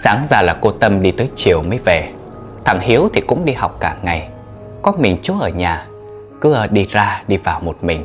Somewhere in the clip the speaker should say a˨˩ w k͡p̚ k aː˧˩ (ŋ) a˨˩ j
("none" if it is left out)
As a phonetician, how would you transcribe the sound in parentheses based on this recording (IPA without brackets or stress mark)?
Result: ŋ